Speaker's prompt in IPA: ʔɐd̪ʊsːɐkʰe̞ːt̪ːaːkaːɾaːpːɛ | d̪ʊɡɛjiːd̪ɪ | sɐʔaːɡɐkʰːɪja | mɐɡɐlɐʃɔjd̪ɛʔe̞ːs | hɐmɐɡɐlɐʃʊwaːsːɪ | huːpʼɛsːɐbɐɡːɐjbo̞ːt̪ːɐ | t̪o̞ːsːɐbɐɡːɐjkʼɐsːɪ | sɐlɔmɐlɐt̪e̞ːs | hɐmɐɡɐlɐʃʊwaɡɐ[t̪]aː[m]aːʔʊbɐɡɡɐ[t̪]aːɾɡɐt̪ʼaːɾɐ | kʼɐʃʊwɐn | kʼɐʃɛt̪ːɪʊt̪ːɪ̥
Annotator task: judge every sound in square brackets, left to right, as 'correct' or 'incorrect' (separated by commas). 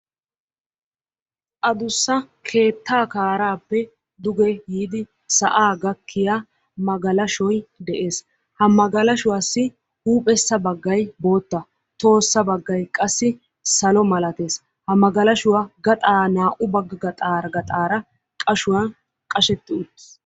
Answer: incorrect, incorrect, incorrect